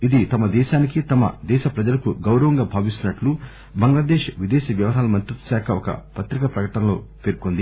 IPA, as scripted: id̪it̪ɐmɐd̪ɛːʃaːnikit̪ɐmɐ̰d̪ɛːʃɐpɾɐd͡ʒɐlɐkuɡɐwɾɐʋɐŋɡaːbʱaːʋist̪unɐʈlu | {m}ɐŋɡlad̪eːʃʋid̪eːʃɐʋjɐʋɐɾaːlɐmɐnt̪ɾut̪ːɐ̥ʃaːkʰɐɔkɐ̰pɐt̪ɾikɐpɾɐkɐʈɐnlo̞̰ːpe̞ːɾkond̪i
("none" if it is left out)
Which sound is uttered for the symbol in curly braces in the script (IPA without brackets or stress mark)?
b